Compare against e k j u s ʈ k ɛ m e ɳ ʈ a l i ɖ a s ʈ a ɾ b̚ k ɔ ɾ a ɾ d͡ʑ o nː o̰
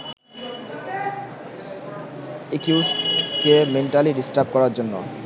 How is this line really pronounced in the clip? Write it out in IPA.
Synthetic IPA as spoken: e k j u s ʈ k e m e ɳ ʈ a l i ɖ i s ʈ a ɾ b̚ k ɔ ɾ a ɾ d͡ʑ o nː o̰